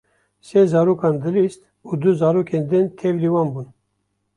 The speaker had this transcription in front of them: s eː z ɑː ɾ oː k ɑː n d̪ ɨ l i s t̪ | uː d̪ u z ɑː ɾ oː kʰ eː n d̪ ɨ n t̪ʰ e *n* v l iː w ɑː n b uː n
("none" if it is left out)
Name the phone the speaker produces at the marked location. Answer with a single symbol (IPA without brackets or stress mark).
none